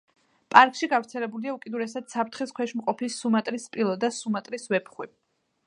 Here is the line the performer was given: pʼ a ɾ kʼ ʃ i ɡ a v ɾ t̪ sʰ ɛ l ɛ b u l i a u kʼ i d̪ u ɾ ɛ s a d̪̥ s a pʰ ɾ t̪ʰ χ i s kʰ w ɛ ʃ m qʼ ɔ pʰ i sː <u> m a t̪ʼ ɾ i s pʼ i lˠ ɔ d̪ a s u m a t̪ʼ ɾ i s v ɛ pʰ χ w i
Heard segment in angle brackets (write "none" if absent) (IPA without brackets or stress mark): u